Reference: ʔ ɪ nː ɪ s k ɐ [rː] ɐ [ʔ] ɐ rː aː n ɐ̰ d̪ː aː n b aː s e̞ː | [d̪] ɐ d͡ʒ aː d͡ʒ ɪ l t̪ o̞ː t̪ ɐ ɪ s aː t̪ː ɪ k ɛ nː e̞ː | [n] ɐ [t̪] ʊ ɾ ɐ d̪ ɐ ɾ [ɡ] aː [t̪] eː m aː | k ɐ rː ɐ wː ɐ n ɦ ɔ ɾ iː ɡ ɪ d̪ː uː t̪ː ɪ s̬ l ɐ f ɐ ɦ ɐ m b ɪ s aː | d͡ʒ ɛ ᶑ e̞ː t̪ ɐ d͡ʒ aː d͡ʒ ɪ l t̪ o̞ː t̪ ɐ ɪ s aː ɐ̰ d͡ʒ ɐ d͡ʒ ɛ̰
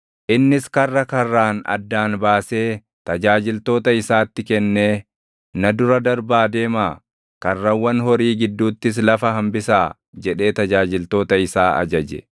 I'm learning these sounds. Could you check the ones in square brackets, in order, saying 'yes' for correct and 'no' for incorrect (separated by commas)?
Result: yes, no, no, yes, no, no, no